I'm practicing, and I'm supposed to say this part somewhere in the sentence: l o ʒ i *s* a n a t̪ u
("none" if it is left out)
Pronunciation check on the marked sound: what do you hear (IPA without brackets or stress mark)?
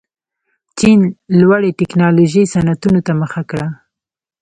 s